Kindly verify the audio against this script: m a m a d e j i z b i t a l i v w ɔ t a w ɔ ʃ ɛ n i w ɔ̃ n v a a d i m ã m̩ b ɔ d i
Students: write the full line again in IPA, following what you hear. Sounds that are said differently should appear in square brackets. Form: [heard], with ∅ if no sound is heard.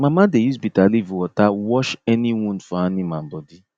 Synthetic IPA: m a m a d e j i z b i t a l i v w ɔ t a w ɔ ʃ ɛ n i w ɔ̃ n [f] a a [n] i m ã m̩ b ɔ d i